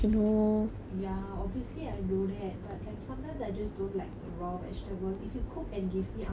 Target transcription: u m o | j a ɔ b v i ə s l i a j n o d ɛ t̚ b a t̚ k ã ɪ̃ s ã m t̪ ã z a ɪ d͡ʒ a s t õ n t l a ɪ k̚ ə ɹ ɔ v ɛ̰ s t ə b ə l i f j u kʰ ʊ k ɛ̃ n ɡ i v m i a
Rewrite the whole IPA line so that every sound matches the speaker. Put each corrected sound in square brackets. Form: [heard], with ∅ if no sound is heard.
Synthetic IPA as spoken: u [n] o | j a ɔ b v i ə s l i a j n o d ɛ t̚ b a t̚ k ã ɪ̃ s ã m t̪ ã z a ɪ d͡ʒ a s [d] õ n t l a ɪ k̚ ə ɹ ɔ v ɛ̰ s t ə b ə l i f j u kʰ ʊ k ɛ̃ n ɡ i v m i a